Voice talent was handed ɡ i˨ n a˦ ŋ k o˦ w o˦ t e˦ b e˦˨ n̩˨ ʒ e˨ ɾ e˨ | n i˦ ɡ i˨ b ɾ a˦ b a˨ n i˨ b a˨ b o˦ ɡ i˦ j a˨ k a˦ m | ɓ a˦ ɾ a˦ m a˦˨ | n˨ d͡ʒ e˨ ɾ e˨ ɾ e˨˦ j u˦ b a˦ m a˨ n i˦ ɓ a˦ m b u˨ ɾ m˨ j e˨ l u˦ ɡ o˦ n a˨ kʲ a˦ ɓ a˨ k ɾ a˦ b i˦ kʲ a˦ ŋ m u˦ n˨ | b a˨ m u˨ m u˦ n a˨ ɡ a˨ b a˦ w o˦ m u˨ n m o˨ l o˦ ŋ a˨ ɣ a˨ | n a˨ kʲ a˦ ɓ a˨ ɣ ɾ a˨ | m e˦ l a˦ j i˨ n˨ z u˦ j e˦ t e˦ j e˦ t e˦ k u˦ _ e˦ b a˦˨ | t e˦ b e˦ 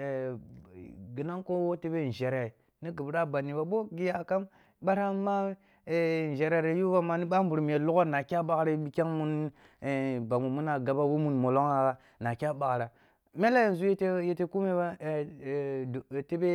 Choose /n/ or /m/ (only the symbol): m